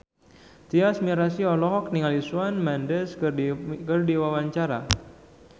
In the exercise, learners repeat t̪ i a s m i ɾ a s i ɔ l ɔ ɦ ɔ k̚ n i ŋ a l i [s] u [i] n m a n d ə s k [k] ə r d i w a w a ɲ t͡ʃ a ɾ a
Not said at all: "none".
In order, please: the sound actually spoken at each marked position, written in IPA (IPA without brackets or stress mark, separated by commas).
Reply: s, a, k